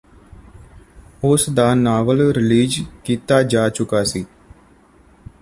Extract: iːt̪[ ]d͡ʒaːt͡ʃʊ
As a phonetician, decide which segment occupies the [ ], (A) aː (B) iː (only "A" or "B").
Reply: A